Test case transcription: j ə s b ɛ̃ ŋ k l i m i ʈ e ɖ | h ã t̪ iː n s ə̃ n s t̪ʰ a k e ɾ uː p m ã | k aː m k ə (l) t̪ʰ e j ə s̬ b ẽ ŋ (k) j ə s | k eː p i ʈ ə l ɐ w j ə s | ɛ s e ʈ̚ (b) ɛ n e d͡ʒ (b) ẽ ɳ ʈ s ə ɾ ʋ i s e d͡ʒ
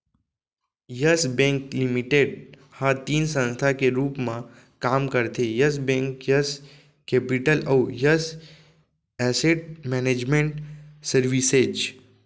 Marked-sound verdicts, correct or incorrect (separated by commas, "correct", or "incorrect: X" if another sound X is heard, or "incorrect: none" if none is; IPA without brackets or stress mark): incorrect: ɾ, correct, incorrect: m, incorrect: m